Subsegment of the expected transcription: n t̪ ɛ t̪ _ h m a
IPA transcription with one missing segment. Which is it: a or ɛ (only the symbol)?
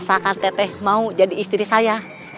ɛ